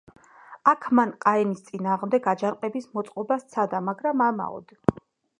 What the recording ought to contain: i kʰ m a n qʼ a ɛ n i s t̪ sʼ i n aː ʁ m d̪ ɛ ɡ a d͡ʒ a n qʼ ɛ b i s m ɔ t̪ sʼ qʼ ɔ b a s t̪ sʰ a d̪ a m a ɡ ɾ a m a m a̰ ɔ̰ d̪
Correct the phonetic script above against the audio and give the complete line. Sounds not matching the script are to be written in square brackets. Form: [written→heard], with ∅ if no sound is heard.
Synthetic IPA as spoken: [i→a] kʰ m a n qʼ a ɛ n i s t̪ sʼ i n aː ʁ m d̪ ɛ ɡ a d͡ʒ a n qʼ ɛ b i s m ɔ t̪ sʼ qʼ ɔ b a s t̪ sʰ a d̪ a m a ɡ ɾ a m a m a̰ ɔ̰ d̪